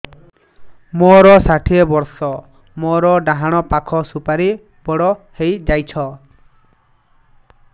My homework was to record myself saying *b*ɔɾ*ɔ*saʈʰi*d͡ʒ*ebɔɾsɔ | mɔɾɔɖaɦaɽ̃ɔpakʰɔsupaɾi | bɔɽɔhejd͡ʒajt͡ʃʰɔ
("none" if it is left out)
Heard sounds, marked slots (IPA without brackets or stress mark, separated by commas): m, ɔ, none